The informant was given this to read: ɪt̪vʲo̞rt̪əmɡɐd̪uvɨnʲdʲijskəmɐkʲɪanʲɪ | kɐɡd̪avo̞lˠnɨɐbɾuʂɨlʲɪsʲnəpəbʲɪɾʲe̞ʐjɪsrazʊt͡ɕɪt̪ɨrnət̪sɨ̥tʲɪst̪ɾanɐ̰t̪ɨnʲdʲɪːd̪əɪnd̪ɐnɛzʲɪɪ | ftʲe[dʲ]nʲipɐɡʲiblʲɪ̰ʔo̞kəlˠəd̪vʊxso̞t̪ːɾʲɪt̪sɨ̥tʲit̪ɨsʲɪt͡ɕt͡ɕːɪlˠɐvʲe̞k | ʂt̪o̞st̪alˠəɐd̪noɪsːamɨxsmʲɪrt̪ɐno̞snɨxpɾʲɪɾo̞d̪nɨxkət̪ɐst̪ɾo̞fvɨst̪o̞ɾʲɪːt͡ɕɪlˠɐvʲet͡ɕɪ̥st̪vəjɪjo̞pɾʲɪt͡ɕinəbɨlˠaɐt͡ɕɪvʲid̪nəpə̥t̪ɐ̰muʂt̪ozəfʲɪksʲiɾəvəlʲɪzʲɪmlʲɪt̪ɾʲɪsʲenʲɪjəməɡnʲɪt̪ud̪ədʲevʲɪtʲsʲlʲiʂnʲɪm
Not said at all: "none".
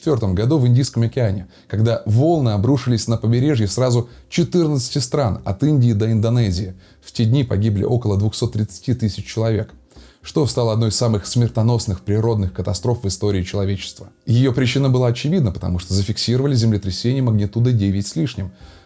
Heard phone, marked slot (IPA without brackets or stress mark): dʲ